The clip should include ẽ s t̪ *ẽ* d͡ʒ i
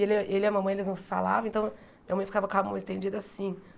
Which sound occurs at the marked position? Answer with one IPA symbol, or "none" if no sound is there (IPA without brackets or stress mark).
ẽ